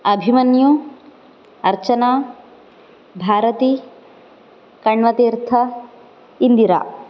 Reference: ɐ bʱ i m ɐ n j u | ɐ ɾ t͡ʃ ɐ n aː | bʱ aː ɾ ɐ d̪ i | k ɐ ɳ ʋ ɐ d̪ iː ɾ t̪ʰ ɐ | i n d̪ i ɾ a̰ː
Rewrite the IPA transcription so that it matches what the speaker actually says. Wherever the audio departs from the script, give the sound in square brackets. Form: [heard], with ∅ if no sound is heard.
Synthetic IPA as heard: ɐ bʱ i m ɐ n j u | ɐ ɾ t͡ʃ ɐ n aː | bʱ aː ɾ ɐ [t̪] i | k ɐ ɳ ʋ ɐ [t̪] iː ɾ t̪ʰ ɐ | i n d̪ i ɾ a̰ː